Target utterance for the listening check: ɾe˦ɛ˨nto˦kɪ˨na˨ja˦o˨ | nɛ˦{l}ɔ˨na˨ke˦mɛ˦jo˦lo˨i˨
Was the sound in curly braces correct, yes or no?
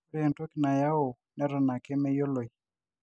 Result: no